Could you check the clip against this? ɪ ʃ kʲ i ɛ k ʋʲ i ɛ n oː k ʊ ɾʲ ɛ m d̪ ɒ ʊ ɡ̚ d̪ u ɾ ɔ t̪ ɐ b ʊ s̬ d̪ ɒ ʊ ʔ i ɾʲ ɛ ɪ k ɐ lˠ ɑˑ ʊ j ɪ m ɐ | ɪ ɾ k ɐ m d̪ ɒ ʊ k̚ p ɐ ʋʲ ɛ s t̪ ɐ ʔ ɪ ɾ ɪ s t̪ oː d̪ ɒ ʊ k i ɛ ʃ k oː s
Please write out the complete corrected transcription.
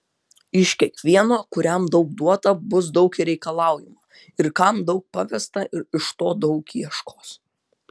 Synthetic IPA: ɪ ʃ kʲ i ɛ k ʋʲ i ɛ n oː k ʊ ɾʲ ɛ m d̪ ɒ ʊ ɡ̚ d̪ u ɔ t̪ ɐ b ʊ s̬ d̪ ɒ ʊ k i ɾʲ ɛ ɪ k ɐ lˠ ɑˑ ʊ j ɪ m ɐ | ɪ ɾ k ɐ m d̪ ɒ ʊ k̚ p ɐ ʋʲ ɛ s t̪ ɐ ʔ ɪ ɾ ɪ ʃ t̪ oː d̪ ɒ ʊ k i ɛ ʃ k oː s